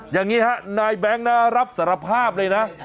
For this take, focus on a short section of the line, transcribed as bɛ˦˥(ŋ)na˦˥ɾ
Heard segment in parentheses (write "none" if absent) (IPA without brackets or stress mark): ŋ